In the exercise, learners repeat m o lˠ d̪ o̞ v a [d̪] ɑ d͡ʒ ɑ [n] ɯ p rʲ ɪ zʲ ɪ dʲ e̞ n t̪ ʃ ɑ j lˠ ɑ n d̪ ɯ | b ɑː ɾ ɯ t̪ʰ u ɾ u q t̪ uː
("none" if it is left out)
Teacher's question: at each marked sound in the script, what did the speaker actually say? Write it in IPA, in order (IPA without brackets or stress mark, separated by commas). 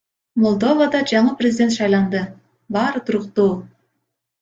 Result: d̪, ɴ